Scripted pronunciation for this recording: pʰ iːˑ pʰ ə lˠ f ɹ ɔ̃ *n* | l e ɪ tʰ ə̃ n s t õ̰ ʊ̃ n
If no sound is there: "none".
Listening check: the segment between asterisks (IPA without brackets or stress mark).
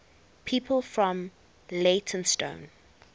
m